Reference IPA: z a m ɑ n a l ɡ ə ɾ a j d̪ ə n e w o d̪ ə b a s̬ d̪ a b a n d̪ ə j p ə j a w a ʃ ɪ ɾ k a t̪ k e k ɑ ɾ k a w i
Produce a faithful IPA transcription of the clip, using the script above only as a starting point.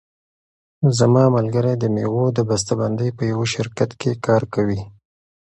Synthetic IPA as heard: z a m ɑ m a l ɡ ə ɾ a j d̪ ə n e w o d̪ ə b a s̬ t̪ a b a n d̪ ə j p ə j a w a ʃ ɪ ɾ k a t̪ k e k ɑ ɾ k a w i